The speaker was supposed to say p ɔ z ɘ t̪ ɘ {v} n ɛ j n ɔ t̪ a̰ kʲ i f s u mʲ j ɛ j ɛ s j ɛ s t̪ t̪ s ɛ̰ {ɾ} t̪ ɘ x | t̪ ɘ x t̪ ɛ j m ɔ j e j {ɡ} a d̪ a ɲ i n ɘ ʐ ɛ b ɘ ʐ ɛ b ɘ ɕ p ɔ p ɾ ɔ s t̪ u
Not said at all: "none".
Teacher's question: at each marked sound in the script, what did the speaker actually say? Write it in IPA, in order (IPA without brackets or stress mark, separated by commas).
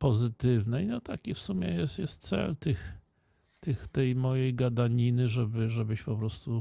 v, l, ɡ